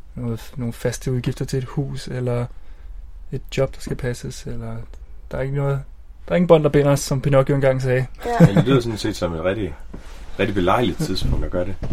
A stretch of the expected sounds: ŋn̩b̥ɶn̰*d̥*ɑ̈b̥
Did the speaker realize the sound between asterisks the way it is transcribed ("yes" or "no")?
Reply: yes